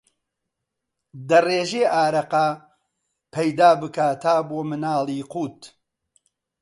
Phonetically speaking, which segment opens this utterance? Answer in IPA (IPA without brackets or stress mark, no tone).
d̪